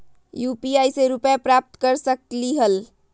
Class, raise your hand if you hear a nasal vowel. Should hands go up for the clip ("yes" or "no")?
no